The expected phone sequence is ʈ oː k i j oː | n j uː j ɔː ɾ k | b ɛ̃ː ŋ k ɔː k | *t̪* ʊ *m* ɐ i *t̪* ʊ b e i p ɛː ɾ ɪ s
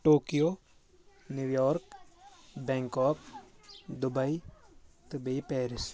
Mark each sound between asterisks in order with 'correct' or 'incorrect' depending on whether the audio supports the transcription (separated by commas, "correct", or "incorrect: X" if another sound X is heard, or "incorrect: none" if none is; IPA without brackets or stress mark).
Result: incorrect: d̪, incorrect: b, correct